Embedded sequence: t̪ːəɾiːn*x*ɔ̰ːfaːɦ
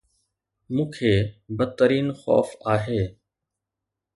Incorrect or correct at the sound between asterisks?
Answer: correct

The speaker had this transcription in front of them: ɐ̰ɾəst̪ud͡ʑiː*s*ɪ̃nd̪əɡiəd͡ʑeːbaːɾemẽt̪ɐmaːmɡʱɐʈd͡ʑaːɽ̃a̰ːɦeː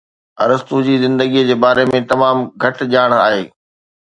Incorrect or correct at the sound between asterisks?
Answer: incorrect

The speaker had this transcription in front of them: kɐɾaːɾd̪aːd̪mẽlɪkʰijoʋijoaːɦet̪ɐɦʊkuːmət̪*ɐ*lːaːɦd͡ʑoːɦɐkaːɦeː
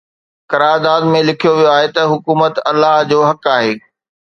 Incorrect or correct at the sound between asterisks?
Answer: correct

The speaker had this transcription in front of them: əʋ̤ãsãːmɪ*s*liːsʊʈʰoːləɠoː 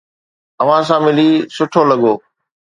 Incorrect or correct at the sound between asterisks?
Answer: incorrect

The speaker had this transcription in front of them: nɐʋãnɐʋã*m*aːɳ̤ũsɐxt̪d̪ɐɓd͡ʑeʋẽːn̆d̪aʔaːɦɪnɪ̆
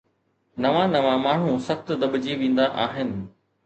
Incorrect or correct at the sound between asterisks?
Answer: correct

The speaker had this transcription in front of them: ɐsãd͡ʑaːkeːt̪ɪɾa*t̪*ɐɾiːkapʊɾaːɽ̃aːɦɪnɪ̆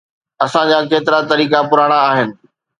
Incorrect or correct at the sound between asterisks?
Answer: correct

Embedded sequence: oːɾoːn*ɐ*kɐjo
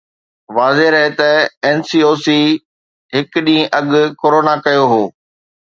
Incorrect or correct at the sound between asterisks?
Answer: incorrect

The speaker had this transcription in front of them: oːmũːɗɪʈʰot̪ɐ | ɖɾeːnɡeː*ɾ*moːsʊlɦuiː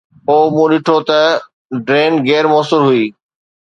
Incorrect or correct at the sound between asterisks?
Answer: correct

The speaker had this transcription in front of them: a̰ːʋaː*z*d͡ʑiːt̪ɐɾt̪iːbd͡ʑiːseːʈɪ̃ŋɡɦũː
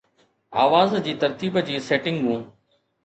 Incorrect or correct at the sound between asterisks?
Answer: correct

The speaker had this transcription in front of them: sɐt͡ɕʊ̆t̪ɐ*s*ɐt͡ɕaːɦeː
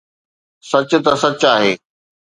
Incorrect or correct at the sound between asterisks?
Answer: correct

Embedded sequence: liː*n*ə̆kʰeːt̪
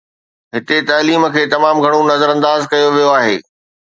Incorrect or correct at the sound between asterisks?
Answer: incorrect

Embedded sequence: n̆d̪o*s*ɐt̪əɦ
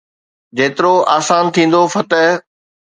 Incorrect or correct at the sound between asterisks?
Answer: incorrect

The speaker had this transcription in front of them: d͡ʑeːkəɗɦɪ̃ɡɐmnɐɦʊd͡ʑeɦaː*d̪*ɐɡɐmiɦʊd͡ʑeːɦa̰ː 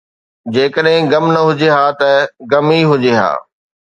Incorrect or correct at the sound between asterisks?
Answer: incorrect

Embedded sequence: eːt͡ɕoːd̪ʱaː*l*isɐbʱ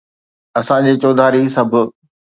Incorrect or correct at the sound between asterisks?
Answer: incorrect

